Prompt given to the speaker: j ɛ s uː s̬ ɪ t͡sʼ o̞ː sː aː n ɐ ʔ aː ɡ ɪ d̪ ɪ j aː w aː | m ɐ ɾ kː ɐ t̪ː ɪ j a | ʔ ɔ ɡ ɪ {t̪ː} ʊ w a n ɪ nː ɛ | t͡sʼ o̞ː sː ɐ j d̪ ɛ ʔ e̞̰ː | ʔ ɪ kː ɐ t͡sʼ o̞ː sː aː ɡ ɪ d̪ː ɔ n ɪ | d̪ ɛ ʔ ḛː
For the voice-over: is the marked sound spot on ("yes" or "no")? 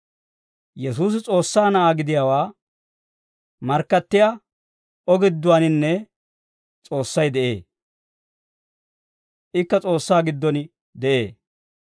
no